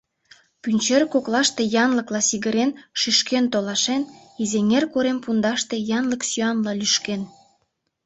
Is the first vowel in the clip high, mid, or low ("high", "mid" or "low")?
high